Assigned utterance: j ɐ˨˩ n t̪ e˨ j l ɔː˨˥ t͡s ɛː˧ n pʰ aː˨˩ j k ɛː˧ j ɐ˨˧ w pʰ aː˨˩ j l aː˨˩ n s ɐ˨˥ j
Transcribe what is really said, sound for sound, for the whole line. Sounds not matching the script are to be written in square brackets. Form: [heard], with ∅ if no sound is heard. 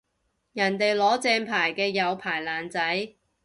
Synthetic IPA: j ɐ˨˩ n t̪ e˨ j l ɔː˨˥ t͡s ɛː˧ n pʰ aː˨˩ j k ɛː˧ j ɐ˨˧ w pʰ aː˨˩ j l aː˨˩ n [t͡s] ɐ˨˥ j